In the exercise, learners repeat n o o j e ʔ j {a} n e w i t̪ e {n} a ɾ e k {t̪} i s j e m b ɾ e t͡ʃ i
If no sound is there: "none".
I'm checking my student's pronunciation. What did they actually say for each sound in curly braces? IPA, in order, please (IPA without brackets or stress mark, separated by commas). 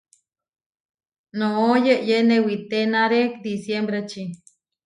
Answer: e, n, d̪